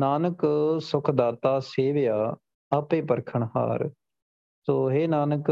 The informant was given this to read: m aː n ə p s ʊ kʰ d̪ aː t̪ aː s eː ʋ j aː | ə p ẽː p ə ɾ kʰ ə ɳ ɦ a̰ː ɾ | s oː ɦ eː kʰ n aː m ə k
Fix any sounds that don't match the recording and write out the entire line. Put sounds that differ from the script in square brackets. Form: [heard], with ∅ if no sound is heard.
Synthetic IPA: [n] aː n ə [k] s ʊ kʰ d̪ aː t̪ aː s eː ʋ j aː | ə p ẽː p ə ɾ kʰ ə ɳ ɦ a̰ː ɾ | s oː ɦ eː [∅] n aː [n] ə k